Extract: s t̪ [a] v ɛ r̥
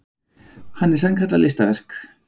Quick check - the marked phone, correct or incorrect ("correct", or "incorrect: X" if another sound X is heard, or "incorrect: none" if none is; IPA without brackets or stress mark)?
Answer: correct